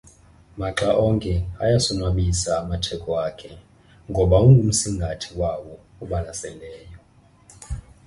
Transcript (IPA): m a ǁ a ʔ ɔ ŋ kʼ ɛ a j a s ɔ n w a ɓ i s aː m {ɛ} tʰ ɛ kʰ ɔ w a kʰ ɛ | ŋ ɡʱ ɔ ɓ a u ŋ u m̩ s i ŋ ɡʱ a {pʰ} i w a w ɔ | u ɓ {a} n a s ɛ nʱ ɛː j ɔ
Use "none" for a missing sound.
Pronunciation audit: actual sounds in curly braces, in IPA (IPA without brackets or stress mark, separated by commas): a, tʰ, a